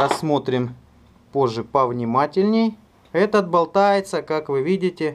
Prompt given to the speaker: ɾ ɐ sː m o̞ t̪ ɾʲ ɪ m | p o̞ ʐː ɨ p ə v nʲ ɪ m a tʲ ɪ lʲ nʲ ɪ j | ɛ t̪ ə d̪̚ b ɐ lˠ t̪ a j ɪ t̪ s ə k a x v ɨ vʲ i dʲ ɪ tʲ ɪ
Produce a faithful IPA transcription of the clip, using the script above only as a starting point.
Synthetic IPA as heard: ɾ ɐ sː m o̞ t̪ ɾʲ ɪ m | p o̞ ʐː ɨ p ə v nʲ ɪ m a tʲ ɪ lʲ nʲ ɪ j | ɛ t̪ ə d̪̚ b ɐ lˠ t̪ a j ɪ t̪ s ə k a k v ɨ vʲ i dʲ ɪ tʲ ɪ